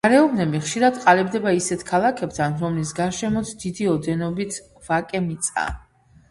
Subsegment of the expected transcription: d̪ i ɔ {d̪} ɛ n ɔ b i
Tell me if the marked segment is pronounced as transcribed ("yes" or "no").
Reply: yes